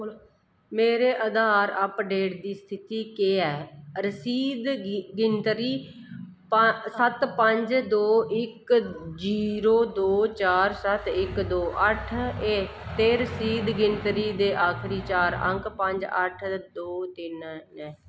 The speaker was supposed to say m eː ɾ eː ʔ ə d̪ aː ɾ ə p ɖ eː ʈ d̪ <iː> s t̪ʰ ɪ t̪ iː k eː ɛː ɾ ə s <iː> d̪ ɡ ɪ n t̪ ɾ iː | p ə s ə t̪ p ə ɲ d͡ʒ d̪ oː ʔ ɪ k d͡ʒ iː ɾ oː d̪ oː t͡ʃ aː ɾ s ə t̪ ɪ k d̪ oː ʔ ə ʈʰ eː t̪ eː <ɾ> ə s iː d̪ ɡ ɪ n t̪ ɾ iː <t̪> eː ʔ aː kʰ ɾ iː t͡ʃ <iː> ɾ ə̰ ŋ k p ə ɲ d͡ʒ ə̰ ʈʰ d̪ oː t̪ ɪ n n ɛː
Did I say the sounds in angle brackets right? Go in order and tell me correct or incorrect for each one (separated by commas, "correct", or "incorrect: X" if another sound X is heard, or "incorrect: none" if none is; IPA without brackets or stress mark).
correct, correct, correct, incorrect: d̪, incorrect: aː